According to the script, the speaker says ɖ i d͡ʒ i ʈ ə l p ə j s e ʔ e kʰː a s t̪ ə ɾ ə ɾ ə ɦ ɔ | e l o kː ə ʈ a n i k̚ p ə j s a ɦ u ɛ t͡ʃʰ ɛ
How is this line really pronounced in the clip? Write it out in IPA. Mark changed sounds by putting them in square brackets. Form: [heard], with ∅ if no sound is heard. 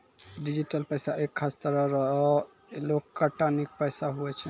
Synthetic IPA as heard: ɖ i d͡ʒ i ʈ ə l p ə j s [a] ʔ e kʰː a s t̪ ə ɾ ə ɾ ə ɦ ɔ | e l o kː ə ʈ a n i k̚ p ə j s a ɦ u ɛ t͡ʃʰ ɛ